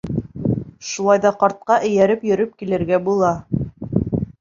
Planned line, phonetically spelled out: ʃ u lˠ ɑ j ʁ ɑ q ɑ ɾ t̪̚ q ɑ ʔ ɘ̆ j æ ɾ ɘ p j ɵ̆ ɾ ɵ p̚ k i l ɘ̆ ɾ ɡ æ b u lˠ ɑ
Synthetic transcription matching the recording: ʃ u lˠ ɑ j ð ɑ q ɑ ɾ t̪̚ q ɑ ʔ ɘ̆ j æ ɾ ɘ p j ɵ̆ ɾ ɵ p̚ k i l ɘ̆ ɾ ɡ æ b u lˠ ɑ